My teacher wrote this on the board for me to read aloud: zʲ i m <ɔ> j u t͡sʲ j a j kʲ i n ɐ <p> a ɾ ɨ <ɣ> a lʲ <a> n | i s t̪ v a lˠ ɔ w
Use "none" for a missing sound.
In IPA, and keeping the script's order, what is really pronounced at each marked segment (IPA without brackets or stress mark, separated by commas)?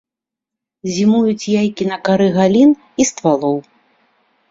u, k, ɣ, i